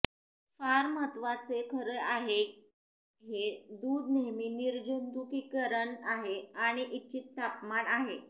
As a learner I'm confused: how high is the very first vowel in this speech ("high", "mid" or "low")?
low